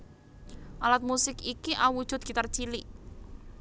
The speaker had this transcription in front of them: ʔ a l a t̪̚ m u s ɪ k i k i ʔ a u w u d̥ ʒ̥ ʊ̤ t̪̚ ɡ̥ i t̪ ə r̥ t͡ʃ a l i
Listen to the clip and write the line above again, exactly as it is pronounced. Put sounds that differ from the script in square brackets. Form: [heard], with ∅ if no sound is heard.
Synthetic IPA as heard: ʔ a l a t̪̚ m u s ɪ k i k i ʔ a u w u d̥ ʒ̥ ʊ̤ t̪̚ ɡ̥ i t̪ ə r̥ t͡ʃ [i] l i

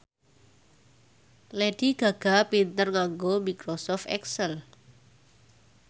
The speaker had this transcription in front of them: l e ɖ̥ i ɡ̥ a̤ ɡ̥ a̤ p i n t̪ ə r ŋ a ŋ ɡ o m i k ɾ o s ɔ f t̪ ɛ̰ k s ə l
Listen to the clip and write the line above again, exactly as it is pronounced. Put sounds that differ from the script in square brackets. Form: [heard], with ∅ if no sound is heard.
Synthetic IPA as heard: l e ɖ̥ i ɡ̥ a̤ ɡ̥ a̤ p i n t̪ ə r ŋ a ŋ ɡ o m i k ɾ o s ɔ f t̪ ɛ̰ k s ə l

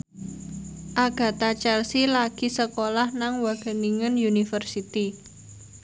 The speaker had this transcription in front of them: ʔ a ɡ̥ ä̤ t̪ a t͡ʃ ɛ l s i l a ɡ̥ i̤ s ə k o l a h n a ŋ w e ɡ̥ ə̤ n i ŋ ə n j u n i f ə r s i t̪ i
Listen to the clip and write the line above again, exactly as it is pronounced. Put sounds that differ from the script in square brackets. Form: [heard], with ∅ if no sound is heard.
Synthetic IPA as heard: ʔ a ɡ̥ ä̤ t̪ a t͡ʃ ɛ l s i l a ɡ̥ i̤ s ə k o l a h n a ŋ w [a] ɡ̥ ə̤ n i ŋ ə n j u n i f ə r s i t̪ i

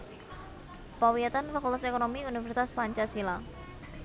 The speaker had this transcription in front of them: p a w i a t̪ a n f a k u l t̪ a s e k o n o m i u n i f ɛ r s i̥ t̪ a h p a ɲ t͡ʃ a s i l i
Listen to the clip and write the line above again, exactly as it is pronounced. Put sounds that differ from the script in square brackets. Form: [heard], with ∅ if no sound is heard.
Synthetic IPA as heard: p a w i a t̪ a n f a k u l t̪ a s e k o n o m i u n i f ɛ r s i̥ t̪ a [s] p a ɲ t͡ʃ a s i l [a]

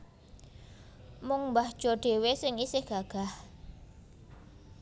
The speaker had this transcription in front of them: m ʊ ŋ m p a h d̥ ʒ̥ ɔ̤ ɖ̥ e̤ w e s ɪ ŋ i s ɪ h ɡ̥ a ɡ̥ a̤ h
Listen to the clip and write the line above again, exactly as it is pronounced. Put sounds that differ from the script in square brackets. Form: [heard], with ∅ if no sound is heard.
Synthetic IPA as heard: m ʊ ŋ m [b] a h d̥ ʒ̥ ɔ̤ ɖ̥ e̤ w e s ɪ ŋ i s ɪ h ɡ̥ a ɡ̥ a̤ h

